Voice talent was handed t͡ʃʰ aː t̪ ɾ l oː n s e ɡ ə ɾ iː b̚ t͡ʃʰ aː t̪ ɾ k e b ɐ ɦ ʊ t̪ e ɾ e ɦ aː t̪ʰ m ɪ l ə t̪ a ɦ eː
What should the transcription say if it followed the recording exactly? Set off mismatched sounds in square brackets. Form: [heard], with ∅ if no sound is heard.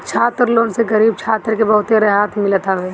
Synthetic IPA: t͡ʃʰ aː t̪ ɾ l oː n s e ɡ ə ɾ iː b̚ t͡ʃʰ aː t̪ ɾ k e b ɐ ɦ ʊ t̪ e ɾ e ɦ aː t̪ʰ m ɪ l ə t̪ a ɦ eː